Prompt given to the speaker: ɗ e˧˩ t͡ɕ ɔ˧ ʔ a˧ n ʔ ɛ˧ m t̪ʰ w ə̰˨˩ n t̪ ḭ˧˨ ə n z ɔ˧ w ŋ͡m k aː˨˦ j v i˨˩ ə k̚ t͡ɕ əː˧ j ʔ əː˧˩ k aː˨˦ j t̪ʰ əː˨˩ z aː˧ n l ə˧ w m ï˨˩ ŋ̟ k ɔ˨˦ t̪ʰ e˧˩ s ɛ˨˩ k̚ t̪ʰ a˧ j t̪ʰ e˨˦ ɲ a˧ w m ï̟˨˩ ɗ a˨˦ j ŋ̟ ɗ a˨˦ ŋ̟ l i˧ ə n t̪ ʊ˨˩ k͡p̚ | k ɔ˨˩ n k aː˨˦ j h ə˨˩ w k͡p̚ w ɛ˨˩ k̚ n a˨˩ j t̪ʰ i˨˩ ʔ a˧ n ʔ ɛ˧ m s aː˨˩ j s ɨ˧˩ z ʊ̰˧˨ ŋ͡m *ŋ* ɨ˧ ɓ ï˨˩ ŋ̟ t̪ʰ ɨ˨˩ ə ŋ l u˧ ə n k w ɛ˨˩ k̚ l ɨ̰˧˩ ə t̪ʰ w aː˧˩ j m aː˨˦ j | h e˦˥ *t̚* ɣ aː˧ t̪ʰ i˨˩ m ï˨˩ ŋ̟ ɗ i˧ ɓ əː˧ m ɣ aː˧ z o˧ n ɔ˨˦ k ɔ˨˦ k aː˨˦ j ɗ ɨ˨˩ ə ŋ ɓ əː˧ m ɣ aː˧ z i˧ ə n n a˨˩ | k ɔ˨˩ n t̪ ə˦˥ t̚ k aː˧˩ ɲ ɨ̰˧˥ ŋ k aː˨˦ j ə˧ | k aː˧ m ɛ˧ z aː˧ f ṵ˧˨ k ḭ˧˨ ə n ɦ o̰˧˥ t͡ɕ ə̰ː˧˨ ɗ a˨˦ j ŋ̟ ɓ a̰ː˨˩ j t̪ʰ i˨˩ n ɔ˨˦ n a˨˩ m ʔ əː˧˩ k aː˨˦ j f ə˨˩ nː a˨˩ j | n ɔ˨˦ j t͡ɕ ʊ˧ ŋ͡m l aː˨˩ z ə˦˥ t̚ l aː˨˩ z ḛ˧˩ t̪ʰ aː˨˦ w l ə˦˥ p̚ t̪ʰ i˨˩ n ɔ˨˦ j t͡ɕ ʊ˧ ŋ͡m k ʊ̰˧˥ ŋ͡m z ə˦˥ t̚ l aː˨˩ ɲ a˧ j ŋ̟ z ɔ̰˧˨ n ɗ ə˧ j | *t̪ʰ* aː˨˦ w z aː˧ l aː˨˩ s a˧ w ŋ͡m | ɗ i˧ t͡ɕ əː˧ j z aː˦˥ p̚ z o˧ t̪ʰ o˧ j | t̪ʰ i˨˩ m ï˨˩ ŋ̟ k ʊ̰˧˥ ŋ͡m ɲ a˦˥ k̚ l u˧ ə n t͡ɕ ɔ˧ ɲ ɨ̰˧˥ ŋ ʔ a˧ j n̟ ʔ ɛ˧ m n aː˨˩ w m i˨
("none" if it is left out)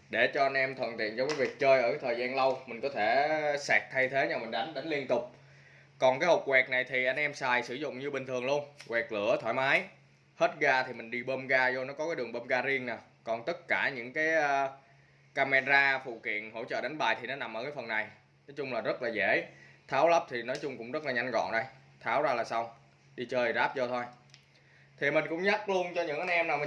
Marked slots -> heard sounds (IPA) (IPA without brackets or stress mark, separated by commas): ɲ, t̚, t̪ʰ